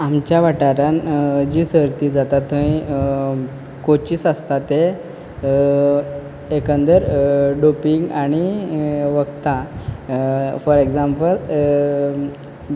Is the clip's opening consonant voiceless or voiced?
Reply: voiced